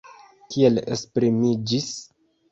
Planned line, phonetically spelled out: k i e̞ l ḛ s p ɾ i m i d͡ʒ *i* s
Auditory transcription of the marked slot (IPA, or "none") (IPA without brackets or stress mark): i